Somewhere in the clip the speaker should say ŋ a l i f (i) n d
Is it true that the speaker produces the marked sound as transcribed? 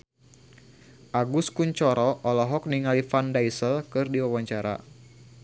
no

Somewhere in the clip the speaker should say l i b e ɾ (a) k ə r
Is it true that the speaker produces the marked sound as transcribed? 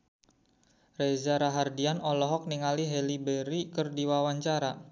no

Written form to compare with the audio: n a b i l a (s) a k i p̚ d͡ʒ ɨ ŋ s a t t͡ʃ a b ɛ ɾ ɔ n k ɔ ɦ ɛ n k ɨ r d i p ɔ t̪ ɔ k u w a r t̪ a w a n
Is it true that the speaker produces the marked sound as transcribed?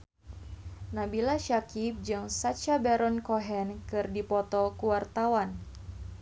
no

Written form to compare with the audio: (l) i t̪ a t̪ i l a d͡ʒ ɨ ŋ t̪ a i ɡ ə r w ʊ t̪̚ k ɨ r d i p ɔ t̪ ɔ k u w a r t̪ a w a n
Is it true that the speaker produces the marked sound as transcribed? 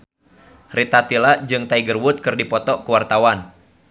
no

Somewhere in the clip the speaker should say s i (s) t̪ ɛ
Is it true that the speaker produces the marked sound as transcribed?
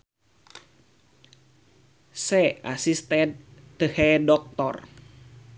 yes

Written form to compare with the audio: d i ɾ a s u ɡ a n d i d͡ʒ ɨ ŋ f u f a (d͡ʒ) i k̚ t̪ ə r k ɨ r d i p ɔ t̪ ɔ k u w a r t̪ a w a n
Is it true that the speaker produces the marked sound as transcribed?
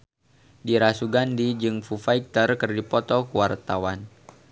no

